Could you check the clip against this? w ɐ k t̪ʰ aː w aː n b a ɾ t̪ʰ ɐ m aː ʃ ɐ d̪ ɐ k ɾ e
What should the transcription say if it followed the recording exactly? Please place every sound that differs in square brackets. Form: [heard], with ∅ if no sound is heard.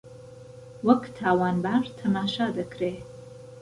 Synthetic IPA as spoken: w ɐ k t̪ʰ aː w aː n b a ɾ t̪ʰ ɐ m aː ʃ [a] d̪ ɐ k ɾ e